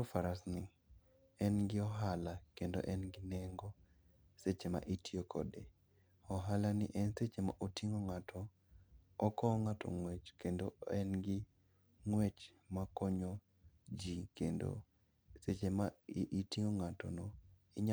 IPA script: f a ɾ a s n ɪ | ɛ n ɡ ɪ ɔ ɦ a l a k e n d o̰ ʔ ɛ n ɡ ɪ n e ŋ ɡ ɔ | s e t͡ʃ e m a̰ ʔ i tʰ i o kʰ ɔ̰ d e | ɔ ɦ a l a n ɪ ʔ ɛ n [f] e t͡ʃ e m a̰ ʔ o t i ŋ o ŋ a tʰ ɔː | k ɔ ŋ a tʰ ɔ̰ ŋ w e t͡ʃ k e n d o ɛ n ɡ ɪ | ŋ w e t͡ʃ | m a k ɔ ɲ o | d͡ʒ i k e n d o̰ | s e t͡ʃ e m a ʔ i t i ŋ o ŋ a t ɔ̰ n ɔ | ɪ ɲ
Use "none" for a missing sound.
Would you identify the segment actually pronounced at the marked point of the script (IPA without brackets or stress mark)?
s